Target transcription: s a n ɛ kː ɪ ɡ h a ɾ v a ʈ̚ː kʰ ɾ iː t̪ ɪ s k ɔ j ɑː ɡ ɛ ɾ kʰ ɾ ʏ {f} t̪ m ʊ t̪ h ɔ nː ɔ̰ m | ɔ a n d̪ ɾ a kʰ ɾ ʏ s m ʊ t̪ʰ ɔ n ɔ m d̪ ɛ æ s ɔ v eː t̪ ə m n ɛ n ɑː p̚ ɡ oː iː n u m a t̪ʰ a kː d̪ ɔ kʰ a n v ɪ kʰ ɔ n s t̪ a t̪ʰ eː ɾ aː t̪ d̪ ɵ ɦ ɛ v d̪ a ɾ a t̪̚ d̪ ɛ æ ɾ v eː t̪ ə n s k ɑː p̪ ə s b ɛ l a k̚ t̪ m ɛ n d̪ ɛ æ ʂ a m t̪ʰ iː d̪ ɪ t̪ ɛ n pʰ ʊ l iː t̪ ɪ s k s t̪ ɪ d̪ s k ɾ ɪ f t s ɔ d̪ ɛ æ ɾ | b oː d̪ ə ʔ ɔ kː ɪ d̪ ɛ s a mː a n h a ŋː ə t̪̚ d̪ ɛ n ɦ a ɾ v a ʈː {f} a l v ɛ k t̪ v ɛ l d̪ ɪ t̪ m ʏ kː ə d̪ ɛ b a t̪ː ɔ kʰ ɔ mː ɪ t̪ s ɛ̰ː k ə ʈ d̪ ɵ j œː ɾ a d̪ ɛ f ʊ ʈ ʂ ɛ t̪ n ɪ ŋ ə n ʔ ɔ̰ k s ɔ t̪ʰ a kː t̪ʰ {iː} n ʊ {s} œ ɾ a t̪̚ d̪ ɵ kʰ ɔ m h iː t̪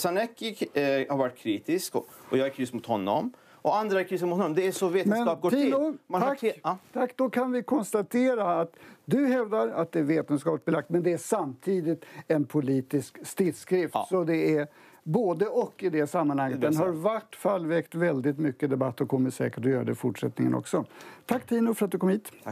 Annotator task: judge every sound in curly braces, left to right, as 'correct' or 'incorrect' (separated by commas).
incorrect, correct, correct, incorrect